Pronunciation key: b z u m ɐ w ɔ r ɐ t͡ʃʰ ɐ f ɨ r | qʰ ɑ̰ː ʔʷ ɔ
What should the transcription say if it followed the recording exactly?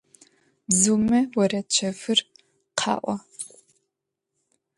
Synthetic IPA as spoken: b z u m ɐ w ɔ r ɐ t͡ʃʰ ɐ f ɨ r | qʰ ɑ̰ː ʔʷ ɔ